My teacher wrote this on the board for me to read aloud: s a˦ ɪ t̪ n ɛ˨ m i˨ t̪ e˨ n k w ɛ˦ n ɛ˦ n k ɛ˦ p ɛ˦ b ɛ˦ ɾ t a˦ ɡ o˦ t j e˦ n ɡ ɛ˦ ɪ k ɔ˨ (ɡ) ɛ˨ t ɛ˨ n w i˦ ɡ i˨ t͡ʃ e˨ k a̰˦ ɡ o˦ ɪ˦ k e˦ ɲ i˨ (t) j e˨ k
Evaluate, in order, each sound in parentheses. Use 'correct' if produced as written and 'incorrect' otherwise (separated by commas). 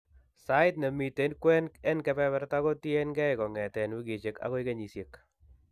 incorrect, incorrect